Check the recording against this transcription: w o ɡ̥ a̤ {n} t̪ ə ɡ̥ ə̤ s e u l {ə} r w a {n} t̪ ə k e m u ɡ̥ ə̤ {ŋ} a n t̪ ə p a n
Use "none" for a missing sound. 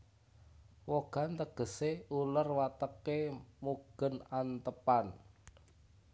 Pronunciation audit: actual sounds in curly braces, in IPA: n, ə, none, n

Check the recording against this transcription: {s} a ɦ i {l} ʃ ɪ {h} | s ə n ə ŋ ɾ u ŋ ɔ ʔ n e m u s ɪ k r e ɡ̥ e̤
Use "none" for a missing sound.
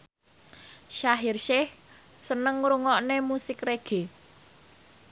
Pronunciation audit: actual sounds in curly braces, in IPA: ʃ, r, h

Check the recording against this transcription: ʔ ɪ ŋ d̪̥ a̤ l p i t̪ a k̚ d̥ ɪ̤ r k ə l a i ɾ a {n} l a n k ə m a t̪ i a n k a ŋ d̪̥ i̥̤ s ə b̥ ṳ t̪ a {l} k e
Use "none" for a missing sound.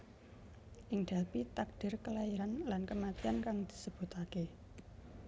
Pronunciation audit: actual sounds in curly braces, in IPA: n, none

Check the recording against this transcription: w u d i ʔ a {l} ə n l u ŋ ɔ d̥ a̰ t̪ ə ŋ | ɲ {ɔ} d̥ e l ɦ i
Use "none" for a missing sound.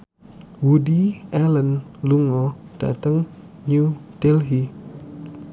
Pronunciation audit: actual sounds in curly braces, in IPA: l, u

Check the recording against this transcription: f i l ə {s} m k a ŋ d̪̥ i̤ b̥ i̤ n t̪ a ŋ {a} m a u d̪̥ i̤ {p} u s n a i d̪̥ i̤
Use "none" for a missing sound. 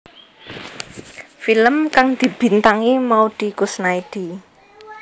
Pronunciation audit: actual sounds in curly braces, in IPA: none, i, k

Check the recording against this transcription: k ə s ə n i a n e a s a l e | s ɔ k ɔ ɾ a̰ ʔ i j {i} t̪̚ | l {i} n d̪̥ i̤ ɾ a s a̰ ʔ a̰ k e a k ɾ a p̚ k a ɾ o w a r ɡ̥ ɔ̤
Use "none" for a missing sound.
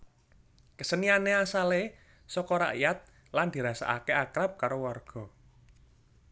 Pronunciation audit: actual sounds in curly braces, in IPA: a, a

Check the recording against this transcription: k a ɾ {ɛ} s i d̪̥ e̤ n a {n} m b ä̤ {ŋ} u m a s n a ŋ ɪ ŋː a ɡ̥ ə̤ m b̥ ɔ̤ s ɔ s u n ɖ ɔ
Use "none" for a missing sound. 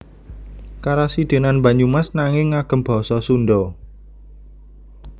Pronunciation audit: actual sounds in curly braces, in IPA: a, n, ɲ

